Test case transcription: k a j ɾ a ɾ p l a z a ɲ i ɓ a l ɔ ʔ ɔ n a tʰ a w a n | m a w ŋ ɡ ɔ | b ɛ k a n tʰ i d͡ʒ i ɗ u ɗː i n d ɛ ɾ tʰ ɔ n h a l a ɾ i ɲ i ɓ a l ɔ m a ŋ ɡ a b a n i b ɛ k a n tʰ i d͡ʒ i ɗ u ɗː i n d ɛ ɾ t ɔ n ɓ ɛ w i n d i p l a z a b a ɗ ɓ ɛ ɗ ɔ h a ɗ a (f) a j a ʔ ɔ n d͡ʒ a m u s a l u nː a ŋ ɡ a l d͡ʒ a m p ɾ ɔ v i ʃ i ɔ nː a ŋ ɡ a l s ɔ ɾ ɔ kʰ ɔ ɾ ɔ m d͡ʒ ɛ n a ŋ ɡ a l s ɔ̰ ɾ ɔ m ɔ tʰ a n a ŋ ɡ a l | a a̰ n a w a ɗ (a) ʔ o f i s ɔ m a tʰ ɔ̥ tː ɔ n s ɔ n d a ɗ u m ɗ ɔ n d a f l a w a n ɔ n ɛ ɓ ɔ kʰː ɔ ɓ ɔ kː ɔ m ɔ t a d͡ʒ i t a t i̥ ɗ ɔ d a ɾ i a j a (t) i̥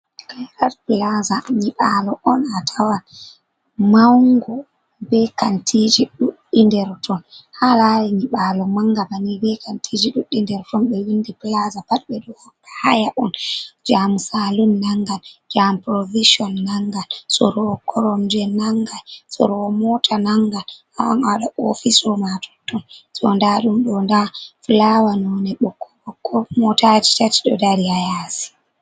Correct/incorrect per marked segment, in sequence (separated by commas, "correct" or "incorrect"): incorrect, correct, incorrect